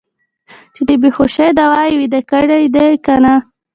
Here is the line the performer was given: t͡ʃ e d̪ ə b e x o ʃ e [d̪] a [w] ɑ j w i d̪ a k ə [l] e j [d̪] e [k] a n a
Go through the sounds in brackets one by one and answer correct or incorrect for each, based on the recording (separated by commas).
correct, correct, incorrect, correct, correct